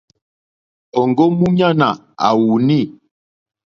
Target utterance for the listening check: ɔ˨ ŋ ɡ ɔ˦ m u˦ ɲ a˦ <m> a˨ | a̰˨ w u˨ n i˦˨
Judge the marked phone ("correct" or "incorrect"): incorrect